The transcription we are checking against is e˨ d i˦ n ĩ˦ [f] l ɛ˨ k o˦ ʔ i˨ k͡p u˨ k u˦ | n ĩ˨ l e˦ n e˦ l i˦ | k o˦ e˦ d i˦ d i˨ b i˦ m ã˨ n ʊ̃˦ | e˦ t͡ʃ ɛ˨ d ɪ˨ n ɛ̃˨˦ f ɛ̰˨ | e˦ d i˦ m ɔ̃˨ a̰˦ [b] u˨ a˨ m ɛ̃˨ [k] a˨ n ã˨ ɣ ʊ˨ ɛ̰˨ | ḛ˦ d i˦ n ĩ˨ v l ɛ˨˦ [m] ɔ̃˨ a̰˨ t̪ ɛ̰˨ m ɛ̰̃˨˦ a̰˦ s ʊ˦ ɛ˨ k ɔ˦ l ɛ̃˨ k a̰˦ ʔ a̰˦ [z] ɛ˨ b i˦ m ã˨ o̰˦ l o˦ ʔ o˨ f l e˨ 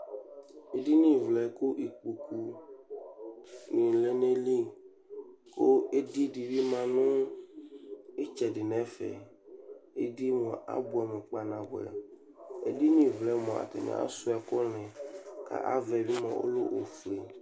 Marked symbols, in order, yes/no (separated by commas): no, yes, no, yes, no